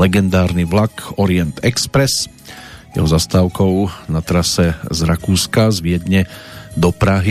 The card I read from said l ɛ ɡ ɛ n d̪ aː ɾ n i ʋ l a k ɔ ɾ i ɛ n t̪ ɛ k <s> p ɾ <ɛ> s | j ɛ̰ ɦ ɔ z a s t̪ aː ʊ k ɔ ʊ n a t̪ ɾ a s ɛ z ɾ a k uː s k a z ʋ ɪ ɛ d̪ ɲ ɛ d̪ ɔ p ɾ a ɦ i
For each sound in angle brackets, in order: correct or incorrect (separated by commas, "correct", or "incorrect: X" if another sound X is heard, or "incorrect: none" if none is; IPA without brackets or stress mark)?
correct, correct